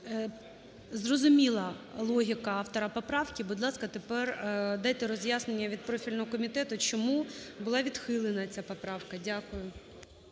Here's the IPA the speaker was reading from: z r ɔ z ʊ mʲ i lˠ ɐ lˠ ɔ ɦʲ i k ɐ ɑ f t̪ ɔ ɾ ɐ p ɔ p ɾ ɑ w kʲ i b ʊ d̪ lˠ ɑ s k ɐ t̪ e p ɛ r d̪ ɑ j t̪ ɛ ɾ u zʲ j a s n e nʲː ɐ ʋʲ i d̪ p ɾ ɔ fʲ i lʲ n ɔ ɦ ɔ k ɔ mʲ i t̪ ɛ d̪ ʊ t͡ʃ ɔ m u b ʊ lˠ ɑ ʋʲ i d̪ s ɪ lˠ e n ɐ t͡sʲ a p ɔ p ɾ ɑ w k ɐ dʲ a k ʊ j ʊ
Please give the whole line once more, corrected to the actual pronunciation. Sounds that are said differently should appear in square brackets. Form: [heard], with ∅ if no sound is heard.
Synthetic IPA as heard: z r ɔ z ʊ mʲ i lˠ ɐ lˠ ɔ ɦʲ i k ɐ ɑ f t̪ ɔ ɾ ɐ p ɔ p ɾ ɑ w kʲ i b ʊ d̪ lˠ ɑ s k ɐ t̪ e p ɛ r d̪ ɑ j t̪ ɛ ɾ [ɔ] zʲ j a s n e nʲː ɐ ʋʲ i d̪ p ɾ ɔ fʲ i lʲ n ɔ ɦ ɔ k ɔ mʲ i t̪ ɛ [t̪] ʊ t͡ʃ ɔ m u b ʊ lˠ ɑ ʋʲ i d̪ [x] ɪ lˠ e n ɐ t͡sʲ a p ɔ p ɾ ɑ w k ɐ dʲ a k ʊ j ʊ